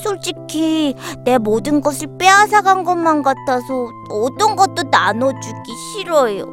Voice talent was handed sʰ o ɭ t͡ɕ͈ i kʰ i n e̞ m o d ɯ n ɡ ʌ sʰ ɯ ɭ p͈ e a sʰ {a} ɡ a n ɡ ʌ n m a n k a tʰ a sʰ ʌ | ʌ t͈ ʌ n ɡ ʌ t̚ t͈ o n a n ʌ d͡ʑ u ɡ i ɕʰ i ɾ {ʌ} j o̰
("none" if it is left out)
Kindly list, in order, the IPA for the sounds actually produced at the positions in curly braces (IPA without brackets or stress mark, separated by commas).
a, ʌ